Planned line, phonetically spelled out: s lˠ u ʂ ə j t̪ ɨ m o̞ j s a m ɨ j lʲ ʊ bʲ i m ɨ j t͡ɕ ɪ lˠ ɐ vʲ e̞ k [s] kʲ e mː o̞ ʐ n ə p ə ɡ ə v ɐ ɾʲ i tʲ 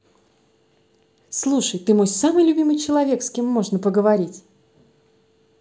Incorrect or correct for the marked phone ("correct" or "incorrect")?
correct